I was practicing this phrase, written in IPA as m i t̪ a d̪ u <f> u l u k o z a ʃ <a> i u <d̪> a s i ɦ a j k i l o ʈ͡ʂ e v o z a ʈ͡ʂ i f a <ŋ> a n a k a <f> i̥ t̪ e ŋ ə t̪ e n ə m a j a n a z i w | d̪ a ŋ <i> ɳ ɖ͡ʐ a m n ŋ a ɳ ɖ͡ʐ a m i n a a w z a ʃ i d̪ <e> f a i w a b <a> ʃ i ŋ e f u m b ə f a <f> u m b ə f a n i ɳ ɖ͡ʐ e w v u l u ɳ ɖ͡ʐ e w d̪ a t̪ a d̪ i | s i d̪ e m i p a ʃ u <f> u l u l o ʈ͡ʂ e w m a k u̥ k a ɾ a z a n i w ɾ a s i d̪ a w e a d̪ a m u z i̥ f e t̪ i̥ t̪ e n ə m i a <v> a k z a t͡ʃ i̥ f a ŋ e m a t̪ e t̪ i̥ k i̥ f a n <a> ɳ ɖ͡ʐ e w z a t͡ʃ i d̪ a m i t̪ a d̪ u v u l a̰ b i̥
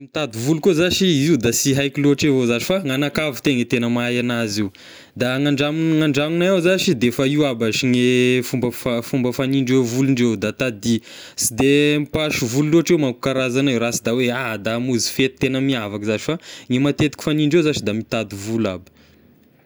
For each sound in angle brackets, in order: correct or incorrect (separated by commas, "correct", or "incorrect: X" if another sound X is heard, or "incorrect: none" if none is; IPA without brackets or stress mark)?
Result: incorrect: v, incorrect: i, correct, correct, incorrect: v, incorrect: a, correct, correct, correct, incorrect: v, correct, incorrect: i